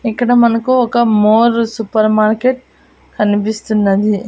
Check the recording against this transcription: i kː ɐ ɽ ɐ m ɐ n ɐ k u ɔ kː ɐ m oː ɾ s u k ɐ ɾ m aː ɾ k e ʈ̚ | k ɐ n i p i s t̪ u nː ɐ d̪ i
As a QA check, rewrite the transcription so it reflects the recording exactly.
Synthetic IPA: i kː ɐ ɽ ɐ m ɐ n ɐ k u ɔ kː ɐ m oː ɾ s u p ɐ ɾ m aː ɾ k e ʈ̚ | k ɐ n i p i s t̪ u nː ɐ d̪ i